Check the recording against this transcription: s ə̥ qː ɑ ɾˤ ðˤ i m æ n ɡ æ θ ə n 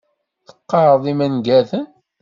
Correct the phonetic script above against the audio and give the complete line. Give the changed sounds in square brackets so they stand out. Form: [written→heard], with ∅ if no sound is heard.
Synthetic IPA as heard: [s→θ] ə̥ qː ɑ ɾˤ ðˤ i m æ n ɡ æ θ ə n